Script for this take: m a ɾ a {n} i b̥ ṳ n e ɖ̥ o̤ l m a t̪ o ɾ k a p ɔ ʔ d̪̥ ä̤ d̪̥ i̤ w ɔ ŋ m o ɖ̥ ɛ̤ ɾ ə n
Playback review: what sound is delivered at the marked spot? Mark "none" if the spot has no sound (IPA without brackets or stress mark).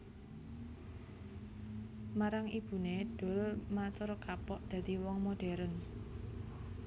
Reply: ŋ